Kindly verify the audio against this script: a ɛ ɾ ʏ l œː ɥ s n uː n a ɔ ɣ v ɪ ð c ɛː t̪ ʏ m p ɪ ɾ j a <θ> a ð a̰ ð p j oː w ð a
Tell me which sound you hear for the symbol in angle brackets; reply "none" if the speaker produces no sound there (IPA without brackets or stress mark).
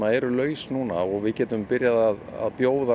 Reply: ð